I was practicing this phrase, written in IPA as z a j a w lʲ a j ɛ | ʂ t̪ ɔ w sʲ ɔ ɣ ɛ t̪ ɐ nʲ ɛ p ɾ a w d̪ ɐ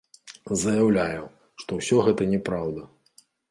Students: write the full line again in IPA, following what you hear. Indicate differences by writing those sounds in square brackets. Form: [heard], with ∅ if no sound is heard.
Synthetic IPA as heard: z [ɐ] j a w lʲ a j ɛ | ʂ t̪ ɔ w sʲ ɔ ɣ ɛ t̪ ɐ nʲ ɛ p ɾ a w d̪ ɐ